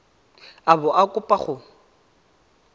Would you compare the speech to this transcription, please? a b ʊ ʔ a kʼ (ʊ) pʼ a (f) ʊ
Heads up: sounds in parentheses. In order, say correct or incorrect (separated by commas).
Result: correct, incorrect